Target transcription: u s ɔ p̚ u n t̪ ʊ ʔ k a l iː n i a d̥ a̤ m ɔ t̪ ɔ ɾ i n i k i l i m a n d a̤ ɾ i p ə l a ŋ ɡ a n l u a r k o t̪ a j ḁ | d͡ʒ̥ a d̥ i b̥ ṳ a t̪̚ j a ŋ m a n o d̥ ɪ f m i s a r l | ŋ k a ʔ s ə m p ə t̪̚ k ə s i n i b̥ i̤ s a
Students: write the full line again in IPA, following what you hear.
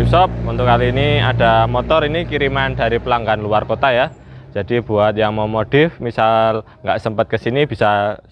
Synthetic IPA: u s ɔ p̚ u n t̪ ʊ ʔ k a l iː n i a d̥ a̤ m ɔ t̪ ɔ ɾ i n i k i ɾ i m a n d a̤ ɾ i p ə l a ŋ ɡ a n l u a r k o t̪ a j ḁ | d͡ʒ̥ a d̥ i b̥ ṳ a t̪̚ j a ŋ m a m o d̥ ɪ f m i s a l | ŋ ɡ a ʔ s ə m p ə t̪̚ k ə s i n i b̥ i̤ s a